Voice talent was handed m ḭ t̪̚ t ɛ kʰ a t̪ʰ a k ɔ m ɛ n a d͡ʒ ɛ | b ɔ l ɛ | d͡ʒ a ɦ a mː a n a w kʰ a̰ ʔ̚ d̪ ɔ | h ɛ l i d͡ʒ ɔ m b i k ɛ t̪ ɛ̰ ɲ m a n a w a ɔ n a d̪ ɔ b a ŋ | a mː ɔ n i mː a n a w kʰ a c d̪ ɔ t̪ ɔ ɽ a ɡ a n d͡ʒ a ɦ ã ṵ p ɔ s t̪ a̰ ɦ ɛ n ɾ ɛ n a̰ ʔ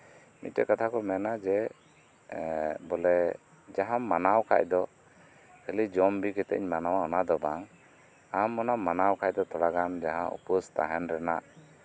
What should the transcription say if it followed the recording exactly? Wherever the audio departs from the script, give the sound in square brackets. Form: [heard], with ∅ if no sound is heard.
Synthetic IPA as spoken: m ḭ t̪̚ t ɛ [k] a t̪ʰ a k ɔ m ɛ n a d͡ʒ ɛ | b ɔ l ɛ | d͡ʒ a ɦ a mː a n a w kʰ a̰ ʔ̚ d̪ ɔ | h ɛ l i d͡ʒ ɔ m b i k ɛ t̪ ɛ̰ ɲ m a n a w a ɔ n a d̪ ɔ b a ŋ | a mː ɔ n [a] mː a n a w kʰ a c d̪ ɔ t̪ ɔ ɽ a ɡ a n d͡ʒ a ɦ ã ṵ p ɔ s t̪ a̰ ɦ ɛ n ɾ ɛ n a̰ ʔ